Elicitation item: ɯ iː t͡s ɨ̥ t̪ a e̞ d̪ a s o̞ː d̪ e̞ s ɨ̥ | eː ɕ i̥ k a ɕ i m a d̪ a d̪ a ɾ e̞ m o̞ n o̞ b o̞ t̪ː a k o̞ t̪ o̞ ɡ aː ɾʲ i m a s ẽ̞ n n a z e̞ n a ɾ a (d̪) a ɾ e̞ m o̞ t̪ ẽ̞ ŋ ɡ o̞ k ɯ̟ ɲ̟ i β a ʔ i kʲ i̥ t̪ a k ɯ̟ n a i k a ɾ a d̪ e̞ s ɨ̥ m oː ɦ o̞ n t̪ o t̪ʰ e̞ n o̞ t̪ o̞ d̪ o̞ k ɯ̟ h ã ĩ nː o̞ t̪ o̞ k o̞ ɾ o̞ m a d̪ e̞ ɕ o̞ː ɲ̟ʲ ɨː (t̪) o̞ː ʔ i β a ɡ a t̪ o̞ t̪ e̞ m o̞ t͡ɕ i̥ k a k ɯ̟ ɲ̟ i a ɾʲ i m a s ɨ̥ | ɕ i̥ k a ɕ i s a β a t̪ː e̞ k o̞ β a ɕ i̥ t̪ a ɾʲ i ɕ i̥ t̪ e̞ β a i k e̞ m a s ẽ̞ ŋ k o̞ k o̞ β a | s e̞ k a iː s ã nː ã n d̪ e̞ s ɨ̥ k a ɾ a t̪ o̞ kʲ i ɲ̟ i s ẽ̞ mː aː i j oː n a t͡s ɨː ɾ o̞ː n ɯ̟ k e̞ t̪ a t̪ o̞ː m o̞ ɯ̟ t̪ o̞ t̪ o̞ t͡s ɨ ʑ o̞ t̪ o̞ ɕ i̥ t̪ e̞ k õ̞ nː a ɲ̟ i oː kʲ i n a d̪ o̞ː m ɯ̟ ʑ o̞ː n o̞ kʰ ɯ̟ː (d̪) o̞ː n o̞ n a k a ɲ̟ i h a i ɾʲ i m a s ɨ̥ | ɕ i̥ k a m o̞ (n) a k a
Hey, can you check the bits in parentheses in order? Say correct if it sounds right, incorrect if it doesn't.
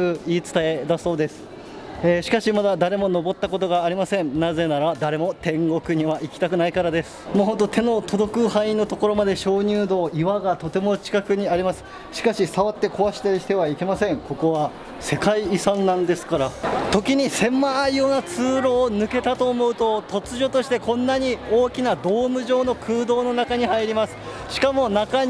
correct, incorrect: d̪, correct, correct

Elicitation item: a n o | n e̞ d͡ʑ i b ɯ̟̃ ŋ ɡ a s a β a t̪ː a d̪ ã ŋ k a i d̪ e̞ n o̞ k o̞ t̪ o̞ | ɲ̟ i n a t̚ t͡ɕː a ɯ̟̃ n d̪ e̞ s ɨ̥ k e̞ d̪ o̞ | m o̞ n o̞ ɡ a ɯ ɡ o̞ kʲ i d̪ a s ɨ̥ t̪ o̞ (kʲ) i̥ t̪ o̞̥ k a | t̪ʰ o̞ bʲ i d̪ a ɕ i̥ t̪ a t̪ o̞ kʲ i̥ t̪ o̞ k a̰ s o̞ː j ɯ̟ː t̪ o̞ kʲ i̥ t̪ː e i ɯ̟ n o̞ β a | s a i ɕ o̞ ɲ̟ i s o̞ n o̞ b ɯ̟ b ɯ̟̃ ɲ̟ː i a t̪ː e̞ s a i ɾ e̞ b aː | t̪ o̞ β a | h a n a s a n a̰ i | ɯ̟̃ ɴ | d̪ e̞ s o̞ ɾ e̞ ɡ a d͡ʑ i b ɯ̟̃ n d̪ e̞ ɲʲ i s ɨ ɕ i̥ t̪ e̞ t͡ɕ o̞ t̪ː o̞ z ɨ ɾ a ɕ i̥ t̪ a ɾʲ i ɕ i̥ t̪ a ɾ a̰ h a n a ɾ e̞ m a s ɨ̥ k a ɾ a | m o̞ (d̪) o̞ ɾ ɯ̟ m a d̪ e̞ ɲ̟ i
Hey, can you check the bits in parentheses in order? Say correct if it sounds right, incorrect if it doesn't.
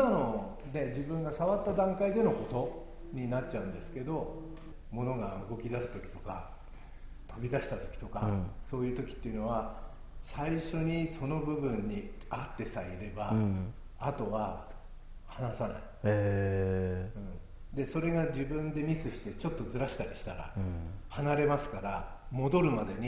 correct, correct

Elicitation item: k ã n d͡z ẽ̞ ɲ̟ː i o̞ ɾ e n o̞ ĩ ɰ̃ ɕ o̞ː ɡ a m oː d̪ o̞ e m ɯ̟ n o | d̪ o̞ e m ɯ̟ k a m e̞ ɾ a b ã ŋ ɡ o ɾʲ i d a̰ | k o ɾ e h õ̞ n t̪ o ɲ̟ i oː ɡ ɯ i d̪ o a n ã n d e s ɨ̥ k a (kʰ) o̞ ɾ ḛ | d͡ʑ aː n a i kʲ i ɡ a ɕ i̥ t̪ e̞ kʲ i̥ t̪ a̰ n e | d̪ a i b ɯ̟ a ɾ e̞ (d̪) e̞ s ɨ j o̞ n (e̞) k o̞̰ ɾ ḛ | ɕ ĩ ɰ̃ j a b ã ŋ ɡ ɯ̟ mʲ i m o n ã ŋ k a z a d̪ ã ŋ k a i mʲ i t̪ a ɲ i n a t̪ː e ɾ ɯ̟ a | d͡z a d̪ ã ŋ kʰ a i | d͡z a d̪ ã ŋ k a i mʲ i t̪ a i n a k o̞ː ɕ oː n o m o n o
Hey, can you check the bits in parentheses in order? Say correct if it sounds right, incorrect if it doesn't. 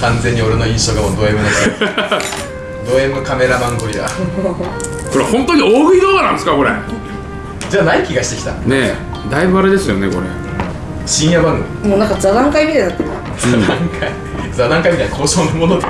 incorrect: k, correct, correct

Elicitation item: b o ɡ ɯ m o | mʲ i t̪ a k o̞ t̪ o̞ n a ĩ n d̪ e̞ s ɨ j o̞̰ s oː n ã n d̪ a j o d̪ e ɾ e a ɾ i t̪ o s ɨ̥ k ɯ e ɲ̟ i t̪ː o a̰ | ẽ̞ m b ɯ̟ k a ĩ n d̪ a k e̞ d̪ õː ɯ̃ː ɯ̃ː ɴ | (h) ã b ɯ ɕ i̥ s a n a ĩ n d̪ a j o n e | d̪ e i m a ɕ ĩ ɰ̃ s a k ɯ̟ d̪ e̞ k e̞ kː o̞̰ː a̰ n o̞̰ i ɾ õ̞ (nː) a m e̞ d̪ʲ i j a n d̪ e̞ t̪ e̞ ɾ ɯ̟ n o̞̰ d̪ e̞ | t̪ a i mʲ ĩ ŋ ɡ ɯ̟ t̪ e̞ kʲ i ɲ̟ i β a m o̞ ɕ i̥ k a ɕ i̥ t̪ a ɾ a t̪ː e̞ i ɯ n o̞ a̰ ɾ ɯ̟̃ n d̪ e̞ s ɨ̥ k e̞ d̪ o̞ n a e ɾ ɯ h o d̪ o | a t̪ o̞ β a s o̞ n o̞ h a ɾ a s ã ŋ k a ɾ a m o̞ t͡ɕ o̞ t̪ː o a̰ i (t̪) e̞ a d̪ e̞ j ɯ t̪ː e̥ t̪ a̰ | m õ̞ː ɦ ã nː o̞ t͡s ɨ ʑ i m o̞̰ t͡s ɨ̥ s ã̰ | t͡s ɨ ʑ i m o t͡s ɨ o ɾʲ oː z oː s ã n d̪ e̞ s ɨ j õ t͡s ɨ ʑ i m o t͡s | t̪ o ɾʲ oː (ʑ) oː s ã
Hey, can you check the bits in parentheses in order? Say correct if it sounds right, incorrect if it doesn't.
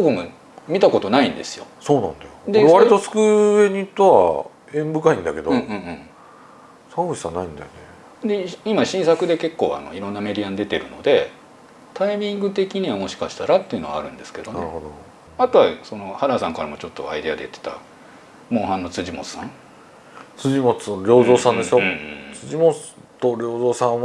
incorrect: s, correct, incorrect: d̪, incorrect: z

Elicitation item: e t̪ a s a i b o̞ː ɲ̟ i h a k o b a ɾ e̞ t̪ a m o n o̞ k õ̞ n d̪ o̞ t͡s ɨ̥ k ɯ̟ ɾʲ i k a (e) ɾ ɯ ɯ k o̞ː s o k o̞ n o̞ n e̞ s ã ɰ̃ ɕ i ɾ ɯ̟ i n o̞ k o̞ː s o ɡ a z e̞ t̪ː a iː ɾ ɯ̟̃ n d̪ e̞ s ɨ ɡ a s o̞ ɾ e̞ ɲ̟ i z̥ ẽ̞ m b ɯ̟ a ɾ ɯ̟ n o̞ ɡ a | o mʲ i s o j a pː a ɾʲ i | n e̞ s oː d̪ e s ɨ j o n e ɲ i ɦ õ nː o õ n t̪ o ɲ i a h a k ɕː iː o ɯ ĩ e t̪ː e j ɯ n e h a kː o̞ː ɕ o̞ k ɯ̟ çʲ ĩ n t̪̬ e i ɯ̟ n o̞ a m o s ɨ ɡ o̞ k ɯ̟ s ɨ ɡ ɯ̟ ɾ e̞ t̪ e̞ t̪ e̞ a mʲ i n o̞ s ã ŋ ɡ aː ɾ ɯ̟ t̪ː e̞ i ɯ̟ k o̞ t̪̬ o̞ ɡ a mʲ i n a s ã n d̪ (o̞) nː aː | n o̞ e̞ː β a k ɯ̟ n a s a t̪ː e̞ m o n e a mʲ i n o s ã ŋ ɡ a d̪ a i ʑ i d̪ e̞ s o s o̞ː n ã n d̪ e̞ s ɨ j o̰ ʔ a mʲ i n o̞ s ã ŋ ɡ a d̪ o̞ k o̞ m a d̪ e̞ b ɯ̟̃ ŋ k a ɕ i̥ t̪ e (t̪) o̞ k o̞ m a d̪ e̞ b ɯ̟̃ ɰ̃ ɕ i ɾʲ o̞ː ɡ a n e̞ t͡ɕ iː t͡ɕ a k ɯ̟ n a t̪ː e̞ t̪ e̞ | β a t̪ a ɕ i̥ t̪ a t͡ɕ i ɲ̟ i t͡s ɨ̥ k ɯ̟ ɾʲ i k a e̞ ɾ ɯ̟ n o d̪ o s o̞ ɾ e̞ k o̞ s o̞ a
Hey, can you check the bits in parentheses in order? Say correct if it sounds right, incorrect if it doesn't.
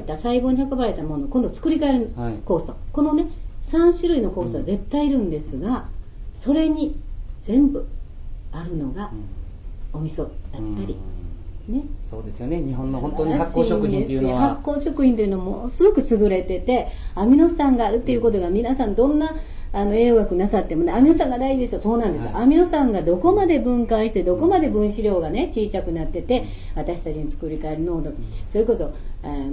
correct, incorrect: õ̞, incorrect: d̪

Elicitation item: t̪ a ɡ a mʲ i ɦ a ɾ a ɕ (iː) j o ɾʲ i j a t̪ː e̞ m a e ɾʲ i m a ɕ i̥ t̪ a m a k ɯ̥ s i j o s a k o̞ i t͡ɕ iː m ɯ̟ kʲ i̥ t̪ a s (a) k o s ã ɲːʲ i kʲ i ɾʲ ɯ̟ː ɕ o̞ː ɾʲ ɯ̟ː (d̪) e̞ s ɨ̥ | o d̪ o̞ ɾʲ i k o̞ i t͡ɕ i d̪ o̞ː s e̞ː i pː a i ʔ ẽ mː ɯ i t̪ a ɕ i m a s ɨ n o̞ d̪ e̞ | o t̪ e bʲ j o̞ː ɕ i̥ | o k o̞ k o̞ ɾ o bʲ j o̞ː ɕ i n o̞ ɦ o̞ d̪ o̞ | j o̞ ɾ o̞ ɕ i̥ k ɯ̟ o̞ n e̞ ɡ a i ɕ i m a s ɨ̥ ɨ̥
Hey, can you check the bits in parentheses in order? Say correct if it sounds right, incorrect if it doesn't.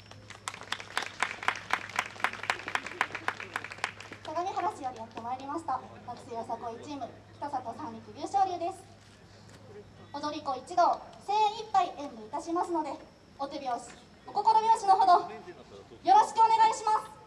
incorrect: i, correct, correct

